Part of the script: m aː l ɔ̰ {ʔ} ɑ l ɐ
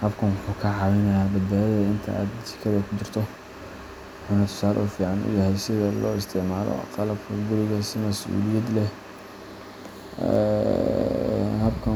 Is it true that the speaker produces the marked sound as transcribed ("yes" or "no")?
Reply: no